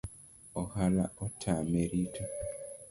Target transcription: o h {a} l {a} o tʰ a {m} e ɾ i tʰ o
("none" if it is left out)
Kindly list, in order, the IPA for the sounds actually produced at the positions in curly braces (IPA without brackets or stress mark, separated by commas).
a, a, m